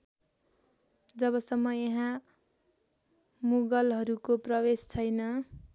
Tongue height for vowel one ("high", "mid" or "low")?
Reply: mid